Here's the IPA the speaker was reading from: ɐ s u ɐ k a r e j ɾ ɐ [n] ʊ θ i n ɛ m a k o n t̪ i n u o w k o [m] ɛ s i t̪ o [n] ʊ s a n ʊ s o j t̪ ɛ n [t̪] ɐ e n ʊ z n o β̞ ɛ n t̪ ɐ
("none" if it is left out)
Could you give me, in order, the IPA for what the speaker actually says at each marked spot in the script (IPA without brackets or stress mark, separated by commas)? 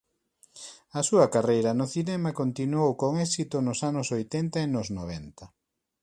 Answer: n, ŋ, n, t̪